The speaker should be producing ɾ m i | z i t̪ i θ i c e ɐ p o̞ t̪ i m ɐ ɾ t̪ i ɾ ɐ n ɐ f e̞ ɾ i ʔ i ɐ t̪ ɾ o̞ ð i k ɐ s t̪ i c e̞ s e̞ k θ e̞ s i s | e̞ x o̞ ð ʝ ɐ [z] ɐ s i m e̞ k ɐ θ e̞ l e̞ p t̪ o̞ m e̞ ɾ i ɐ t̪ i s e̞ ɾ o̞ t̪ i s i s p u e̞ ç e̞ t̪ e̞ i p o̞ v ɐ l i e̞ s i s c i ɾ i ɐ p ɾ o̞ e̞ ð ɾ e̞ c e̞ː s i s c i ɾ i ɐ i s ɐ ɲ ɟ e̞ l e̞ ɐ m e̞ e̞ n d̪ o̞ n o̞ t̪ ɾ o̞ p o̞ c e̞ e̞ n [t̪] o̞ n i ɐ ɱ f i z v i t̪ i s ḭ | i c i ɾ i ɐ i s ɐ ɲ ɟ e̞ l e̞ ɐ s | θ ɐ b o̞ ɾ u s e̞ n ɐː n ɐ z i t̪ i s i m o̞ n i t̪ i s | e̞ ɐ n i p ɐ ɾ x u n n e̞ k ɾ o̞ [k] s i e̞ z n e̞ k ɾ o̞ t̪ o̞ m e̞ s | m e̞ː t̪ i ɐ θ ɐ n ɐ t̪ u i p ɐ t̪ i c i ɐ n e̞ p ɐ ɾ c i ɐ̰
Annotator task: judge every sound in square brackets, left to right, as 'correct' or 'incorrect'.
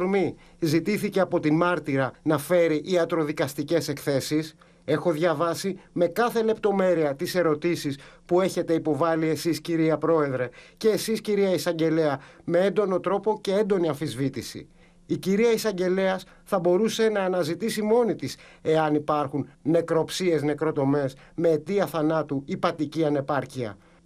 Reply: incorrect: v, incorrect: d̪, incorrect: p

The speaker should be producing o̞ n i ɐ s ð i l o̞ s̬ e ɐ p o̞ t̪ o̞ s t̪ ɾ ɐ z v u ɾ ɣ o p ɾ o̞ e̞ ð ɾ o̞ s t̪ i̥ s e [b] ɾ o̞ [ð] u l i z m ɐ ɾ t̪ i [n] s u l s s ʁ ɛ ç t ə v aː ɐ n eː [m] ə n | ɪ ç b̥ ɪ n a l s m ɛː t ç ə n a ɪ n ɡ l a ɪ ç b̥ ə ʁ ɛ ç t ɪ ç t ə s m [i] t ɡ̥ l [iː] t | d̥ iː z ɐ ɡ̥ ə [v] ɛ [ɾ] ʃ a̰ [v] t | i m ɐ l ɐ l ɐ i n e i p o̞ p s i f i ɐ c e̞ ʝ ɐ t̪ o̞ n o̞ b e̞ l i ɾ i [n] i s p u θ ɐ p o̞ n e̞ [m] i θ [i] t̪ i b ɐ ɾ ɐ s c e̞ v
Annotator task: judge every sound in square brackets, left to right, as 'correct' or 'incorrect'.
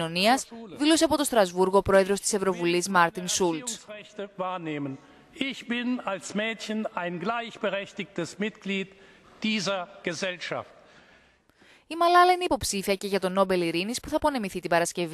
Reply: incorrect: v, incorrect: v, correct, correct, incorrect: ɪ, correct, incorrect: z, incorrect: l, incorrect: f, correct, correct, correct

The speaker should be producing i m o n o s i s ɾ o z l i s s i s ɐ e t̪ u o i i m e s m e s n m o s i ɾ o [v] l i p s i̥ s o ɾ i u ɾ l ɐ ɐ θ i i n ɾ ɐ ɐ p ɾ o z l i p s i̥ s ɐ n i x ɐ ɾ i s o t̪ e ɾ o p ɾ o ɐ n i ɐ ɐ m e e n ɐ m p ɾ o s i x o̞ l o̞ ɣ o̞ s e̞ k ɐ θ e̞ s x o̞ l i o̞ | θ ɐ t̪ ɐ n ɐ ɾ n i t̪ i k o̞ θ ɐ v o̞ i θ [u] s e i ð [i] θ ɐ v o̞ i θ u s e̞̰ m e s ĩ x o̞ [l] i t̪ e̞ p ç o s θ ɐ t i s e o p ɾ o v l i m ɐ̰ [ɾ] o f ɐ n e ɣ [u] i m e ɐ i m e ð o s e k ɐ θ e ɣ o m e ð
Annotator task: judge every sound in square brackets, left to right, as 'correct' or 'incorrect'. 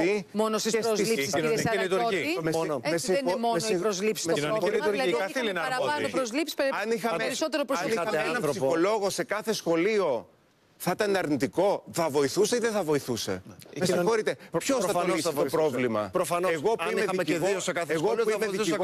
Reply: incorrect: z, correct, incorrect: e, incorrect: ɾ, correct, incorrect: o

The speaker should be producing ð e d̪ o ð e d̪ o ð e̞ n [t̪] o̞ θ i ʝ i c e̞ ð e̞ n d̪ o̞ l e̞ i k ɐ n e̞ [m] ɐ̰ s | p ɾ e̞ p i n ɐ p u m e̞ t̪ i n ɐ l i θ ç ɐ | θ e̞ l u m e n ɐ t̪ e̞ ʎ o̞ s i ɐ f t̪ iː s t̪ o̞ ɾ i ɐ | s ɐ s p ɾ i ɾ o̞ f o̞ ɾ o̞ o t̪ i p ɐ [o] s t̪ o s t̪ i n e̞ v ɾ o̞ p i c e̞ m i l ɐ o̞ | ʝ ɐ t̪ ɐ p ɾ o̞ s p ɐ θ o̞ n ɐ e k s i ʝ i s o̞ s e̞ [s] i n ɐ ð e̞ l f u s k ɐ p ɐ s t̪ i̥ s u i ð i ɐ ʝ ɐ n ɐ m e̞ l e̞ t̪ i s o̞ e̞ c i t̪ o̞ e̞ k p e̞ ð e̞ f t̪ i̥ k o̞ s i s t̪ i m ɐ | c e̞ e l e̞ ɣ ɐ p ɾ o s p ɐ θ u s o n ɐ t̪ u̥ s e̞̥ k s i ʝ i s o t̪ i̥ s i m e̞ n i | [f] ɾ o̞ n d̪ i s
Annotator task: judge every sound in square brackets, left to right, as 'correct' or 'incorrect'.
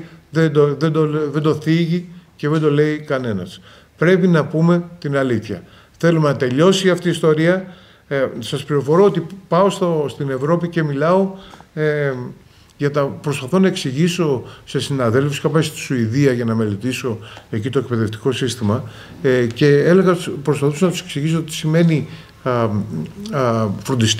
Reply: incorrect: d̪, incorrect: n, correct, correct, correct

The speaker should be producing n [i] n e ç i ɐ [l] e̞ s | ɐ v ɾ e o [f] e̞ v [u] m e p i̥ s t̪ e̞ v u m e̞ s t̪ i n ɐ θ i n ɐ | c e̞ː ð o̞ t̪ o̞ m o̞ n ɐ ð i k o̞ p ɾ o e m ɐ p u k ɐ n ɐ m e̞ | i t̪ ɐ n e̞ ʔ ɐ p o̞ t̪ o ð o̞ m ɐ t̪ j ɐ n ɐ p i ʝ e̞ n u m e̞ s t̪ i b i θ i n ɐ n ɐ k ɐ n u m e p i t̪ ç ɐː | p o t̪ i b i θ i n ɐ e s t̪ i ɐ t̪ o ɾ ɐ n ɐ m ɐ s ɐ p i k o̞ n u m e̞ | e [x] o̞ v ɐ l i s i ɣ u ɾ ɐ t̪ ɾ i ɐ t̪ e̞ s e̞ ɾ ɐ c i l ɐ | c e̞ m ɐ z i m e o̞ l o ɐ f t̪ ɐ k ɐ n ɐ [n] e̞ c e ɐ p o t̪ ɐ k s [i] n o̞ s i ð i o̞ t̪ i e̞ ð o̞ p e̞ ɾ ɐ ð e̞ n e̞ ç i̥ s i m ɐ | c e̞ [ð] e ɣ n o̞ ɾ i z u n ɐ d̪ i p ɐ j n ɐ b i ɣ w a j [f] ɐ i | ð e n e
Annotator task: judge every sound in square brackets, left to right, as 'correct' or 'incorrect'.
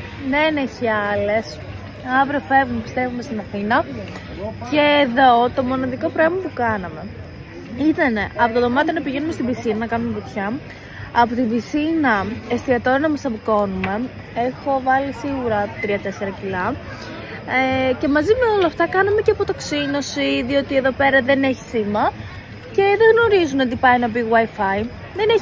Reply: incorrect: e, correct, correct, correct, correct, incorrect: m, correct, correct, correct

